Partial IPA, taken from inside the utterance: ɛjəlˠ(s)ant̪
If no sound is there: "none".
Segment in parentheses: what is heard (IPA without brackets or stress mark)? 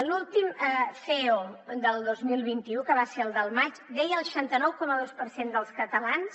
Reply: ʃ